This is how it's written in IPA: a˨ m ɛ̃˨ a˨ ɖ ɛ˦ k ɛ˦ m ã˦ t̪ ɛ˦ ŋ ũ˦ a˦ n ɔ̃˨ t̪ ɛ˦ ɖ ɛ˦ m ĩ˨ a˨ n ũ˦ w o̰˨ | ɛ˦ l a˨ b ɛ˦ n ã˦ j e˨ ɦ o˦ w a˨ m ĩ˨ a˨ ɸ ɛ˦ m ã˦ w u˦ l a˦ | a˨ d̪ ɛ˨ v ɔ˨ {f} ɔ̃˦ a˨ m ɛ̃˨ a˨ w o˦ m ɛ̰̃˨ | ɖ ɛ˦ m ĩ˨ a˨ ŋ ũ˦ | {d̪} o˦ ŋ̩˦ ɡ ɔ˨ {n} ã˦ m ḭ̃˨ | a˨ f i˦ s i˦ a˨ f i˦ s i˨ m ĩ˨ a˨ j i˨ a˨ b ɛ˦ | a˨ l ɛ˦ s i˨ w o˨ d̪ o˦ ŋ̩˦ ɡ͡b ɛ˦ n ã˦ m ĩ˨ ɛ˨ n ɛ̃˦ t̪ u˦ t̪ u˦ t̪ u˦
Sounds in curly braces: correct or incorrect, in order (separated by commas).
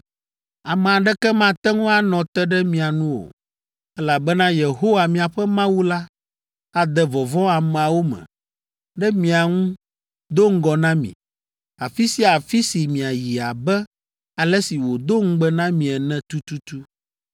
incorrect, correct, correct